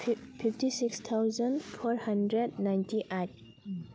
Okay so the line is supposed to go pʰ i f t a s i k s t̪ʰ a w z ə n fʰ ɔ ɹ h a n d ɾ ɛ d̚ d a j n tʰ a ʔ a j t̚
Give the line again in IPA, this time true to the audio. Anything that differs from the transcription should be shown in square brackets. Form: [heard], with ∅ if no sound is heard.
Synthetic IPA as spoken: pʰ i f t [i] s i k s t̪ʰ a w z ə n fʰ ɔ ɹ h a n d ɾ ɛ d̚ [n] a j n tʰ [i] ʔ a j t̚